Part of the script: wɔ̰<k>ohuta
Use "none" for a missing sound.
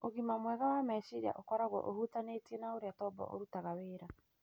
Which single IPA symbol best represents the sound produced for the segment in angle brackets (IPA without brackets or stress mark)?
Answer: ʔ